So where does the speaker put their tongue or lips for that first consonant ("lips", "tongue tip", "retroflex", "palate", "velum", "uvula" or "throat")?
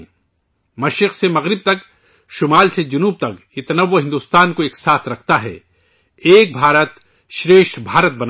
lips